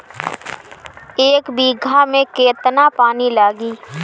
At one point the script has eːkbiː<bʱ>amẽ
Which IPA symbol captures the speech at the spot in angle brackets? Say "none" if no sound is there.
ɡʱ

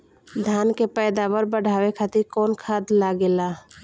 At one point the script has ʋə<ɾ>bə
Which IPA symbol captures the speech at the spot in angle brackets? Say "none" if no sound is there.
ɾ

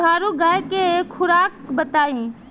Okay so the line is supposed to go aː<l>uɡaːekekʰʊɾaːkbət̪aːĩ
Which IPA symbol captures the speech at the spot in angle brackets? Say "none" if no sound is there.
ɾ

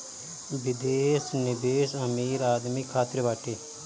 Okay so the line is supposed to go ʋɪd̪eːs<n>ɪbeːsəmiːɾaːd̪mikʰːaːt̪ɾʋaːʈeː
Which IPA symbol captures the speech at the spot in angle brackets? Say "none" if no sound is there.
n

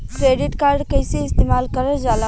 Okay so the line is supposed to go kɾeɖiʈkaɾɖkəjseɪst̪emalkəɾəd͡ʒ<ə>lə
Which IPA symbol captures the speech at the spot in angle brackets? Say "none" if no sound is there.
a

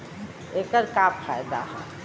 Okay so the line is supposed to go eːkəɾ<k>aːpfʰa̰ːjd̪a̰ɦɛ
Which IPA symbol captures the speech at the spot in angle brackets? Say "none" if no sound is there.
k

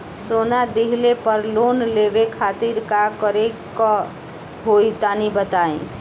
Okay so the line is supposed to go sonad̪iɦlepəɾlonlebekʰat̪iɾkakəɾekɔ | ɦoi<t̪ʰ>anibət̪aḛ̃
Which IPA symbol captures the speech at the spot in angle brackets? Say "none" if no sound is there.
t̪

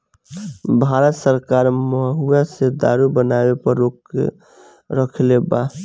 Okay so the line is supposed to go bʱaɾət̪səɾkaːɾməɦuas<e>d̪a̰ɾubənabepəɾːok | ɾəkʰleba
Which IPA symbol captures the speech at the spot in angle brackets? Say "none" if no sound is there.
e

